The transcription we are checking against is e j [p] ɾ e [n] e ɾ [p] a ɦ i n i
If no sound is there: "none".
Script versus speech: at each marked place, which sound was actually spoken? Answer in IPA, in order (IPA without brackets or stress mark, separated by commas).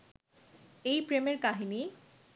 p, m, k